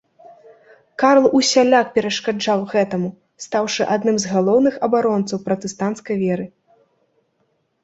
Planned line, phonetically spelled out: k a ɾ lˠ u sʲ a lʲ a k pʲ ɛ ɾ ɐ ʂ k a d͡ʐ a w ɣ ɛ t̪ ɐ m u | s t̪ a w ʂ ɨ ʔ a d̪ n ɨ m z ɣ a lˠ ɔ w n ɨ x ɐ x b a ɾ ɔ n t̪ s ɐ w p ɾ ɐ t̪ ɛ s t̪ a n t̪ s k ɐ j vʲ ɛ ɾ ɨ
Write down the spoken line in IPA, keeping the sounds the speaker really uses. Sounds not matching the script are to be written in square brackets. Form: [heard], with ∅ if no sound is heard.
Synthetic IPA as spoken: k a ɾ lˠ u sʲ a lʲ a k pʲ ɛ ɾ ɐ ʂ k a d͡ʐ a w ɣ ɛ t̪ ɐ m u | s t̪ a w ʂ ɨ ʔ a d̪ n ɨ m z ɣ a lˠ ɔ w n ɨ x ɐ [∅] b a ɾ ɔ n t̪ s ɐ w p ɾ ɐ t̪ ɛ s t̪ a n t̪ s k ɐ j vʲ ɛ ɾ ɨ